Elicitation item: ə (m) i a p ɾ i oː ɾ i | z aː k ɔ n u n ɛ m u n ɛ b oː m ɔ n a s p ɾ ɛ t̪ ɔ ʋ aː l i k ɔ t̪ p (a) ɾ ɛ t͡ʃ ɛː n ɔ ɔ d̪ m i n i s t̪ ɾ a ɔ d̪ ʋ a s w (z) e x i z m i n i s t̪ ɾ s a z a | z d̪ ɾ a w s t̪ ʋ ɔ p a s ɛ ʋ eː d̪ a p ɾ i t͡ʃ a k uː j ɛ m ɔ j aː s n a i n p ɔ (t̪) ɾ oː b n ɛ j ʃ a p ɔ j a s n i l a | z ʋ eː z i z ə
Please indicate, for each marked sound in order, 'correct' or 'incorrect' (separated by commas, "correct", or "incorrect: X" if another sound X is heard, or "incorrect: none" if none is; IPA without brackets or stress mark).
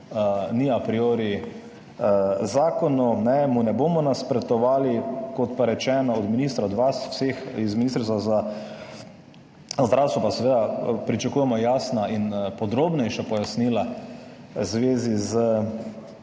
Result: incorrect: n, correct, incorrect: s, incorrect: d̪